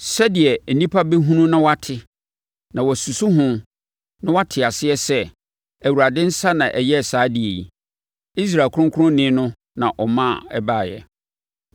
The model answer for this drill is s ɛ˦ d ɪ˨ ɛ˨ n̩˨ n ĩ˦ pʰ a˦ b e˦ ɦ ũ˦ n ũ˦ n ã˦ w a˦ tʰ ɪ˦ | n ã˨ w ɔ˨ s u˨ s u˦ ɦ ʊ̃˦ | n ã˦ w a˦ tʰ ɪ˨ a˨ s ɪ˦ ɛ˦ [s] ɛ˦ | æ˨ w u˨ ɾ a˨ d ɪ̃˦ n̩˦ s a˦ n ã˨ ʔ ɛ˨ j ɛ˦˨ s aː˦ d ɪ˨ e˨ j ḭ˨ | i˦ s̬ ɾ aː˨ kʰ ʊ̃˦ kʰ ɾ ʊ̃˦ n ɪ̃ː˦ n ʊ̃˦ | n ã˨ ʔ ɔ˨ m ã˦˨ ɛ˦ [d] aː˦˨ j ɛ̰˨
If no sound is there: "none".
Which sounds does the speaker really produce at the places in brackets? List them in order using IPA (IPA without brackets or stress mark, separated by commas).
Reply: s, b